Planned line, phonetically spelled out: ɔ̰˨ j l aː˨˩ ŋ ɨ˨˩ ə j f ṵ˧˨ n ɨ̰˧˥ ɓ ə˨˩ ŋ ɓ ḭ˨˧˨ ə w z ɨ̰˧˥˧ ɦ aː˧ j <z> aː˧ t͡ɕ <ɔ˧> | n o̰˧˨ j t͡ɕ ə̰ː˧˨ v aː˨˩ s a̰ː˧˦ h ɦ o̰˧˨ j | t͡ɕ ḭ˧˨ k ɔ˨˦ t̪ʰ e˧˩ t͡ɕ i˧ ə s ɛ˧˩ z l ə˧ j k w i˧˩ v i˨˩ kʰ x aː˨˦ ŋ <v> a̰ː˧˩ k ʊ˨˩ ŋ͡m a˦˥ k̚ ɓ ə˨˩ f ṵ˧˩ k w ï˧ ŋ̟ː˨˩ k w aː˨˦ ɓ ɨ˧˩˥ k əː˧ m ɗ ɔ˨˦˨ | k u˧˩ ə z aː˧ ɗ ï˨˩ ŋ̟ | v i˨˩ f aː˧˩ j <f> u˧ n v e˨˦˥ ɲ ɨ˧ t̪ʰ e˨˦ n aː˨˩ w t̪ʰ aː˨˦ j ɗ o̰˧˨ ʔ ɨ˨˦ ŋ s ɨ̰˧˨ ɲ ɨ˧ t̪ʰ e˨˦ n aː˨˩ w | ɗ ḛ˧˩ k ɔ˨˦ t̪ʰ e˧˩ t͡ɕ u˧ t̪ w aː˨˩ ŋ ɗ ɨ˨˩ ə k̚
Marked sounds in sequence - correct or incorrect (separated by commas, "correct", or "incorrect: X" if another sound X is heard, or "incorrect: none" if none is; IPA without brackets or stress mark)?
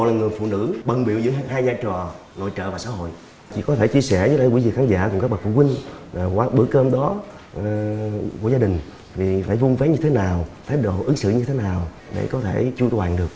correct, incorrect: ɔ˨˩, incorrect: z, incorrect: v